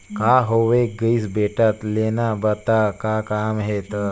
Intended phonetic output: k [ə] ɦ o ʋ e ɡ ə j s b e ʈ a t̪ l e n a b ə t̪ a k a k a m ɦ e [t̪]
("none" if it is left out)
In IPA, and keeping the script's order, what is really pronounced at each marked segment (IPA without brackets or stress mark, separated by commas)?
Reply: a, t̪